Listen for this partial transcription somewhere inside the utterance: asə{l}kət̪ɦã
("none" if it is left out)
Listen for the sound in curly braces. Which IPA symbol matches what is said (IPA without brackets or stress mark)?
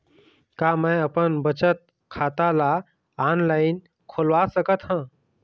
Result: none